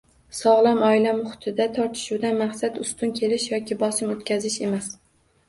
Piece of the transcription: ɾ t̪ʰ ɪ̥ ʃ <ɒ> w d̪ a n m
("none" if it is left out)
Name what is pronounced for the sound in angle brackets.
u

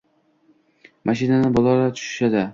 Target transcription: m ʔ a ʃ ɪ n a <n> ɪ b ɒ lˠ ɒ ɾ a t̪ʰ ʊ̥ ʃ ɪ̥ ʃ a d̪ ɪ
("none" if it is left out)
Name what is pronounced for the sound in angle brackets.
n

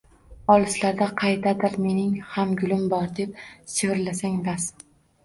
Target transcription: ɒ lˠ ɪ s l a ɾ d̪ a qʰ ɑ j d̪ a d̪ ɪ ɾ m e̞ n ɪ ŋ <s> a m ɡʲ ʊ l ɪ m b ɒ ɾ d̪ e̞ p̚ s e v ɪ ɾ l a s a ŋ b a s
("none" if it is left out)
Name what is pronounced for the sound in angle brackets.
h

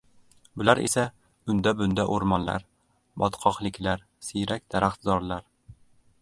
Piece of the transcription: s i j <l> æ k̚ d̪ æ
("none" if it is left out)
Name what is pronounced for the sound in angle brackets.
ɾ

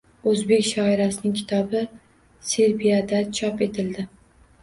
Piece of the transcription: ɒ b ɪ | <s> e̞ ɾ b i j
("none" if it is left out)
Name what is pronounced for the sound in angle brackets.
s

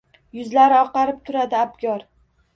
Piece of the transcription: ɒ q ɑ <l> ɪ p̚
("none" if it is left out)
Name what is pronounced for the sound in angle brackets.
ɾ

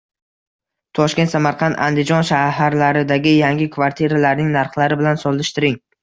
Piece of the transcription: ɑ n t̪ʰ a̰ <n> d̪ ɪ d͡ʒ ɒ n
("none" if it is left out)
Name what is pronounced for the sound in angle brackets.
n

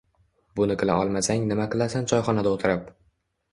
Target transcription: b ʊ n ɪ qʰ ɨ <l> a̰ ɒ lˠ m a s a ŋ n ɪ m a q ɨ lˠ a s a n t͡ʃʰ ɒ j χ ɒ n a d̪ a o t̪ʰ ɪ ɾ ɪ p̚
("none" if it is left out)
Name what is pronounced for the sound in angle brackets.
l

